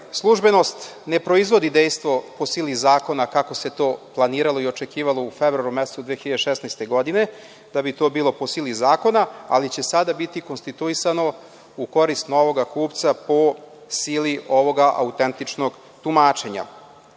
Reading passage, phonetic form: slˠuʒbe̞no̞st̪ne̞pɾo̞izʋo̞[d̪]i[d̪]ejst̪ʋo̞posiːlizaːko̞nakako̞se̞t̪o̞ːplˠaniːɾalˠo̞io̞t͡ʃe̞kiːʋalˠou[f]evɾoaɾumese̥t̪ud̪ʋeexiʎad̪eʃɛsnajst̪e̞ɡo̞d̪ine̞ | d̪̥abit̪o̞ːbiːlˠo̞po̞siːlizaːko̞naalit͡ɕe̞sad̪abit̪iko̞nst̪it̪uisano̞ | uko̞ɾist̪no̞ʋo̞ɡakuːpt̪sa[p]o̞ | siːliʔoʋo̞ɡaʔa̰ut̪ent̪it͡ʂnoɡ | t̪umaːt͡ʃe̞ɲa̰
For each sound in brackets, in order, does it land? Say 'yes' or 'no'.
yes, yes, yes, yes

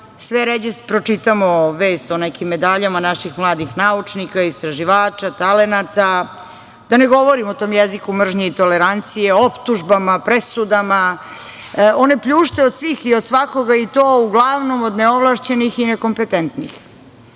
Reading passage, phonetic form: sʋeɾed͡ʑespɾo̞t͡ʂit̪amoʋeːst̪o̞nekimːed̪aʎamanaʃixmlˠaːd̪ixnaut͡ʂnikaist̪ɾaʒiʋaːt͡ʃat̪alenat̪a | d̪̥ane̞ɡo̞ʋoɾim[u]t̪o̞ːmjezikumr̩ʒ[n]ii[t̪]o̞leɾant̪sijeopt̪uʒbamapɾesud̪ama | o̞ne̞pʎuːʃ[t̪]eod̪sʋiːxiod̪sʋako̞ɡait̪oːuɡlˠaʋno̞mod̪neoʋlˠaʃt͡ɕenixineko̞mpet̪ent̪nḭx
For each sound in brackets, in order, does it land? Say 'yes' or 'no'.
no, no, yes, yes

